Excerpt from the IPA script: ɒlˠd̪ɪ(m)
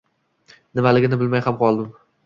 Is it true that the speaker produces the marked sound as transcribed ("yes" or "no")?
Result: yes